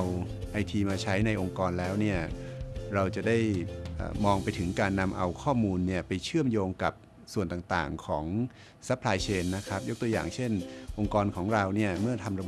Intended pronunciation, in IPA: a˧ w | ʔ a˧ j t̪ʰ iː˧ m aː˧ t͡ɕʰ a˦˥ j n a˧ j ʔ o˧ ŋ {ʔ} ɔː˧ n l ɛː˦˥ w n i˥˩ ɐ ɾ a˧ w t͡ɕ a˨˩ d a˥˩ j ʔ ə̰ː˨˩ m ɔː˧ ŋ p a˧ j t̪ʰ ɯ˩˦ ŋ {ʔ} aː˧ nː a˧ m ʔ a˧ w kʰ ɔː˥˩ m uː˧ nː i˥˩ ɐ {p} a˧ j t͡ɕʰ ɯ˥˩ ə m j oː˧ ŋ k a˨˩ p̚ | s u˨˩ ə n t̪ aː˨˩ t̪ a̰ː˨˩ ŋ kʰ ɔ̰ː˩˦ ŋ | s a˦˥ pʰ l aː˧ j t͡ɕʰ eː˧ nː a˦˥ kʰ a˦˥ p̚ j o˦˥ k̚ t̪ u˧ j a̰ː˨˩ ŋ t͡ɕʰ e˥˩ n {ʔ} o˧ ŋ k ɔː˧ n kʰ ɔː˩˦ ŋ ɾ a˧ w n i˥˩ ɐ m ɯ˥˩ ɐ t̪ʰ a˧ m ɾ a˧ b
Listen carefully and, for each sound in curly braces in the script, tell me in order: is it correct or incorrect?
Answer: incorrect: k, incorrect: k, correct, correct

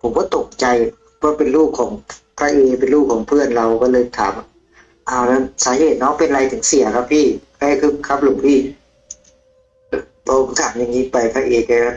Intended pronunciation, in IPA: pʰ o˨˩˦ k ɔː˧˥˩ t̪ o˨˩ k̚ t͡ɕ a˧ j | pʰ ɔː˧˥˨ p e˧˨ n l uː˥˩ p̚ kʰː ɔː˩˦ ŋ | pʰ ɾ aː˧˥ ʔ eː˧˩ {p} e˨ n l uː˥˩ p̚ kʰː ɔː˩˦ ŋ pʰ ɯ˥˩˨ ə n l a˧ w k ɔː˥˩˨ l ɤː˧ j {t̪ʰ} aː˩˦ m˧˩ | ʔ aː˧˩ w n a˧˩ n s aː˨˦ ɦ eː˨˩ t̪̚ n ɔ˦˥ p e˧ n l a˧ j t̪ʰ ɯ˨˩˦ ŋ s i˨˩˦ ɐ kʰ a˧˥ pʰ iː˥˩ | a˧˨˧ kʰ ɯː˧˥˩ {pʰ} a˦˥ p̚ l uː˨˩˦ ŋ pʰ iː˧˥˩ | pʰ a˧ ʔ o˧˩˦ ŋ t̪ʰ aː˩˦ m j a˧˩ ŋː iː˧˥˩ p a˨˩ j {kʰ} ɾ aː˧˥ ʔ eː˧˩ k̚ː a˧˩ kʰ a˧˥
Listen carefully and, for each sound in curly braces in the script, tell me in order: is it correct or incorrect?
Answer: correct, correct, incorrect: kʰ, incorrect: pʰ

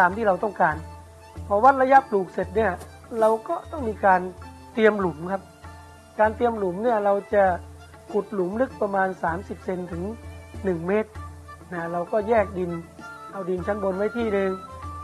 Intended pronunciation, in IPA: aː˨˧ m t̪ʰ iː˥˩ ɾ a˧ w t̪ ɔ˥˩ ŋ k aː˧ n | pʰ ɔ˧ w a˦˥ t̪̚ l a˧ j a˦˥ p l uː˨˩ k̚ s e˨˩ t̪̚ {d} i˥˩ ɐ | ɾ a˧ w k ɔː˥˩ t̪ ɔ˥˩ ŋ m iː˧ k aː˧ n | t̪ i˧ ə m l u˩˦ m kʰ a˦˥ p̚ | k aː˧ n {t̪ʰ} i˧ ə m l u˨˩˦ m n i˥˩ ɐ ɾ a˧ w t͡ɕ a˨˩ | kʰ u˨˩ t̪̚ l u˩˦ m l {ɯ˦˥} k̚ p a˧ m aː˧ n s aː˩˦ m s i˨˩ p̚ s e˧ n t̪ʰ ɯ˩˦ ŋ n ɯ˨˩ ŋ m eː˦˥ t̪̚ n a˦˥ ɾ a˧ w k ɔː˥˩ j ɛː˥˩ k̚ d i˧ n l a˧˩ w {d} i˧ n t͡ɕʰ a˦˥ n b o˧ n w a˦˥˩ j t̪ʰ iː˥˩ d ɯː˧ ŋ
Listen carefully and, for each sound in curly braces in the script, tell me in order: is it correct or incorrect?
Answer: incorrect: n, incorrect: t̪, correct, correct

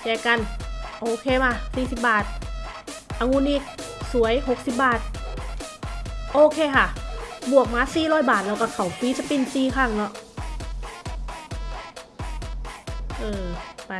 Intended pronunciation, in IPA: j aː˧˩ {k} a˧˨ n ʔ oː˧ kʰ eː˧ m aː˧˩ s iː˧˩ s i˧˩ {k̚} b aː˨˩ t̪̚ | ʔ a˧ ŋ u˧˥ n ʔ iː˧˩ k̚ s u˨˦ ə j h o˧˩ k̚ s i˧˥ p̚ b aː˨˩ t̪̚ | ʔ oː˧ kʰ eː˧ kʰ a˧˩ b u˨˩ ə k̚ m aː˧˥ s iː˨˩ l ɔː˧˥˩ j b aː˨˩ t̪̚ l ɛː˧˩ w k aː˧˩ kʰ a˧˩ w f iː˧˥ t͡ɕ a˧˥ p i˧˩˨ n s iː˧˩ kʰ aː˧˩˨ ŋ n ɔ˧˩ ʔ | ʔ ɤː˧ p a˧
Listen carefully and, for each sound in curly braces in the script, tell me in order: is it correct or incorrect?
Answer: correct, incorrect: p̚

